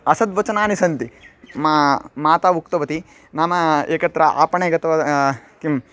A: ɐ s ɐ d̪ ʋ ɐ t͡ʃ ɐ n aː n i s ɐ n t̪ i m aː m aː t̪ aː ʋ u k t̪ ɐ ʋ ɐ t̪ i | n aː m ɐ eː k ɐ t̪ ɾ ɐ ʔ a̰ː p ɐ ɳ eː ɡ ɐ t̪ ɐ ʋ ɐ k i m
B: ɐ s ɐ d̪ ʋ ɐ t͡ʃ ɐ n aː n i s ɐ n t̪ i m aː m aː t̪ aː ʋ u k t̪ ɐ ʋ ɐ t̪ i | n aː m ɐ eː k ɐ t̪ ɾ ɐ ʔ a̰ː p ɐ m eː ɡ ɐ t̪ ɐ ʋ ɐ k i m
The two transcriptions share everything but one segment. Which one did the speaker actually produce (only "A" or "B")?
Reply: A